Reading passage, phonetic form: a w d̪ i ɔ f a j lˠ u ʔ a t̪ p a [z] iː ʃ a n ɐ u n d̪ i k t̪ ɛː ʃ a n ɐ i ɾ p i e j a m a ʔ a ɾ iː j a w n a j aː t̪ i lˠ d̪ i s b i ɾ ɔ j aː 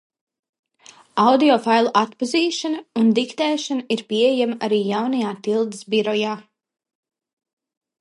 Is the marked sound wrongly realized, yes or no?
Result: no